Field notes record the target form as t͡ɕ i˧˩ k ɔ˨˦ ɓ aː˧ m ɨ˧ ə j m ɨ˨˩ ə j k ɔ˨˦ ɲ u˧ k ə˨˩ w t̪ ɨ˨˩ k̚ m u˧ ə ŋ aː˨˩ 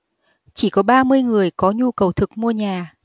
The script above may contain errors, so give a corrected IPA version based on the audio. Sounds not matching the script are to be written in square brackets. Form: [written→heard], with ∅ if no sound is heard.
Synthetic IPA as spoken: t͡ɕ i˧˩ k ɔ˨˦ ɓ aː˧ m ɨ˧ ə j [m→ŋ] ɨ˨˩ ə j k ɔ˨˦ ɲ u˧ k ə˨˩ w [t̪→t̪ʰ] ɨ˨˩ k̚ m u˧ ə [ŋ→ɲ] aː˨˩